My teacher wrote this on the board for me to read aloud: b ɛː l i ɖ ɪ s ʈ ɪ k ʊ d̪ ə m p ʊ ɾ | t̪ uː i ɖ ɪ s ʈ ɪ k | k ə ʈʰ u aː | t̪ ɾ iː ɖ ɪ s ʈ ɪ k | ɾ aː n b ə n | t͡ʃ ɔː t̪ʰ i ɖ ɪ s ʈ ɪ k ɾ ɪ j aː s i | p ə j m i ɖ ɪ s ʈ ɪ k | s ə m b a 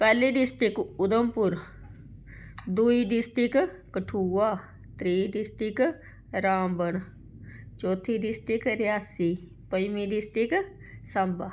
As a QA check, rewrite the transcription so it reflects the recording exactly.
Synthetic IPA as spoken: p ɛː l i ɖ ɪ s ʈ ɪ k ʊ d̪ ə m p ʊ ɾ | d̪ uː i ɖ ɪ s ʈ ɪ k | k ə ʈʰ u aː | t̪ ɾ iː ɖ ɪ s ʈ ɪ k | ɾ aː m b ə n | t͡ʃ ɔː t̪ʰ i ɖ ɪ s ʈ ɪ k ɾ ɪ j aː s i | p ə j m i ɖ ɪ s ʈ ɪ k | s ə m b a